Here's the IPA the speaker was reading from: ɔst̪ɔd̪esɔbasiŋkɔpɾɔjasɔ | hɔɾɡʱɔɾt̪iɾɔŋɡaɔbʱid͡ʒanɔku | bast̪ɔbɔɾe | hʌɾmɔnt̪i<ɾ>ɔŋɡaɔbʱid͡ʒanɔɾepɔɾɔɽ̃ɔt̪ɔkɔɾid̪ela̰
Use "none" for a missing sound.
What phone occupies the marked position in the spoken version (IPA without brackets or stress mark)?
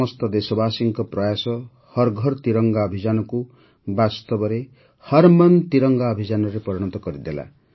ɾ